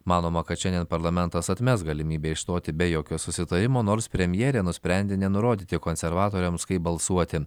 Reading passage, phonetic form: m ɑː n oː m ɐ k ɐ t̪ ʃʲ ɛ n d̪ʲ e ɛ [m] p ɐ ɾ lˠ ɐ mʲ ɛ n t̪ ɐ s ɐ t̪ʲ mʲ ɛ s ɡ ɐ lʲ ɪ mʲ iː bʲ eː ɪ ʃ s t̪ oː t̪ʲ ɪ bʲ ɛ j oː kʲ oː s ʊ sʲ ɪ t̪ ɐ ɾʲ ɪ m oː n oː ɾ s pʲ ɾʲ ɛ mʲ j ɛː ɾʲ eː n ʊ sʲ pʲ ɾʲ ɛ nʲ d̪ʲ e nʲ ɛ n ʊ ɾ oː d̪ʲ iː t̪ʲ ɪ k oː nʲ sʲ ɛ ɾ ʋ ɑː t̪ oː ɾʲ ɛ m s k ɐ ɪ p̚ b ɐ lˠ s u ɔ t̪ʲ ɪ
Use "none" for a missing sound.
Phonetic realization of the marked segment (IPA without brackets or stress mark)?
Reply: n